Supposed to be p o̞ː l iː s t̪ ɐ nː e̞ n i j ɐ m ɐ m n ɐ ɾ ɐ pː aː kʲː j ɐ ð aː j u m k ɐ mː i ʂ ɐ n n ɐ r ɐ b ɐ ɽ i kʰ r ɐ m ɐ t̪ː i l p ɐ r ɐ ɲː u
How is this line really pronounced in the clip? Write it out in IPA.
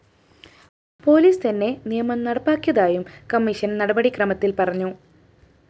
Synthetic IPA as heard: p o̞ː l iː s t̪ ɐ nː e̞ n i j ɐ m ɐ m n ɐ ɽ ɐ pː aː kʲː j ɐ ð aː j u m k ɐ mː i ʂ ɐ n n ɐ ɽ ɐ b ɐ ɽ i k r ɐ m ɐ t̪ː i l p ɐ r ɐ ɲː u

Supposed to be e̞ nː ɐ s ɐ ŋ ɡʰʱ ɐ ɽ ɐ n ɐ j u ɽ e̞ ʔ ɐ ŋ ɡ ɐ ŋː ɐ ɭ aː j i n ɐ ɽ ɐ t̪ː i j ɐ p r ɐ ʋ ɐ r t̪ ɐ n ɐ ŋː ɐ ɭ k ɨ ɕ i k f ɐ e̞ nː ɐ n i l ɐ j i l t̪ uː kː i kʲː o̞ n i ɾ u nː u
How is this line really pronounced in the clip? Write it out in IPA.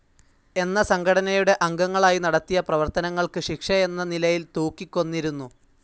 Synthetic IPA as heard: e̞ nː ɐ s ɐ ŋ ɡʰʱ ɐ ɽ ɐ n ɐ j u ɽ e̞ ʔ ɐ ŋ ɡ ɐ ŋː ɐ ɭ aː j i n ɐ ɽ ɐ t̪ː i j ɐ p r ɐ ʋ ɐ r t̪ ɐ n ɐ ŋː ɐ ɭ k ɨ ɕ i k ʂ ɐ e̞ nː ɐ n i l ɐ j i l t̪ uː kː i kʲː o̞ nː i ɾ u nː u

